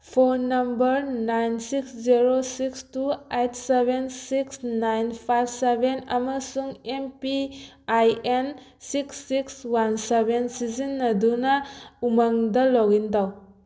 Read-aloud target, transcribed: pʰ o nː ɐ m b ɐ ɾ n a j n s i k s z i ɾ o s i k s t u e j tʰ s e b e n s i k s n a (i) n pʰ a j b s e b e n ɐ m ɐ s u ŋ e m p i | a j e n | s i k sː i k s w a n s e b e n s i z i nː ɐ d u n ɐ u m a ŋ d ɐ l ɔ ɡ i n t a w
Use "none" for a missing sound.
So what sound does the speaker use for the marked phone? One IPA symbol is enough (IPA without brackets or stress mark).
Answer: j